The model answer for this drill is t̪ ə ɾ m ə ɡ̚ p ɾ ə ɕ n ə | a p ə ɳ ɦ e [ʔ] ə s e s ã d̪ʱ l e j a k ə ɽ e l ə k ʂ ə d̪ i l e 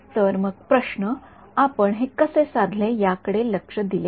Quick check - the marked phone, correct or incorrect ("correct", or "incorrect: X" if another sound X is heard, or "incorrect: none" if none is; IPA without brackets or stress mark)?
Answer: incorrect: k